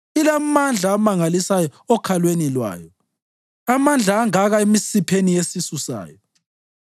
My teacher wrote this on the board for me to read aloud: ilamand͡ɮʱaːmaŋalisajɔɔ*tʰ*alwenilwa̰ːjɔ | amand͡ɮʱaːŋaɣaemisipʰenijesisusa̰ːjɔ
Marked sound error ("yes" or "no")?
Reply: yes